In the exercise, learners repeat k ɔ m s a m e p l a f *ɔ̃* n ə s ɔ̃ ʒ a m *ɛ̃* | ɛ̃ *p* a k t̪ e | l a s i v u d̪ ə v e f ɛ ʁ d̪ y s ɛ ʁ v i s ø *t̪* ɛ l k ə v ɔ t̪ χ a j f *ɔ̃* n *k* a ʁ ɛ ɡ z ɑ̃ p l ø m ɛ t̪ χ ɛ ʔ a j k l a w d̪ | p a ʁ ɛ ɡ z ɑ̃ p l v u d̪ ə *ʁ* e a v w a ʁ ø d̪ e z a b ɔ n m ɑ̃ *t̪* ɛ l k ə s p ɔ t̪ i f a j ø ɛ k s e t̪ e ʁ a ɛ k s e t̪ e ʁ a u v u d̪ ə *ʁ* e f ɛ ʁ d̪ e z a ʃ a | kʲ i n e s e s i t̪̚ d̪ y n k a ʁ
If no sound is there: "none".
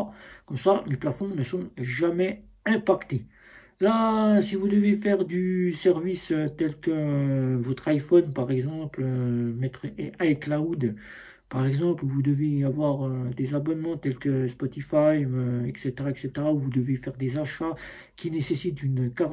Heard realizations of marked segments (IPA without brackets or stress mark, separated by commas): ɔ̃, ɛ, p, t̪, ɔ, p, v, t̪, v